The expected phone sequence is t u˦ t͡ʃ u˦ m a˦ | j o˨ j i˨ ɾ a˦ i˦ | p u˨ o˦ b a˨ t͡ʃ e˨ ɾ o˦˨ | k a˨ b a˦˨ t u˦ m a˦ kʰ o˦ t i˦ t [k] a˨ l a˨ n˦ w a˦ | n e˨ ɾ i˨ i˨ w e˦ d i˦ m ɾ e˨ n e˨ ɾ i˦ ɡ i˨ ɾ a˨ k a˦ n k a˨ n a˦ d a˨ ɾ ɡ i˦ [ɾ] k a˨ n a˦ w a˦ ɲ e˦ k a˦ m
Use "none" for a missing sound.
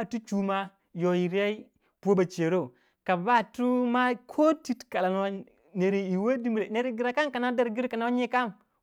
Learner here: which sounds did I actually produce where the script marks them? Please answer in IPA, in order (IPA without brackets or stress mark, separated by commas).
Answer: k, ɾ